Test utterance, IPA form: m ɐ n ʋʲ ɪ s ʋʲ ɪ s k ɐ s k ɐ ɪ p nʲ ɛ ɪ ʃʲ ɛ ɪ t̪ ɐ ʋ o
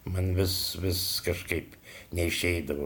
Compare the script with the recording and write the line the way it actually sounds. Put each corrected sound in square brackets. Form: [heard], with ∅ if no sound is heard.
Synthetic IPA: m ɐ n ʋʲ ɪ s ʋʲ ɪ s k ɐ [ʃ] k ɐ ɪ p nʲ ɛ ɪ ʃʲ ɛ ɪ [d̪] ɐ ʋ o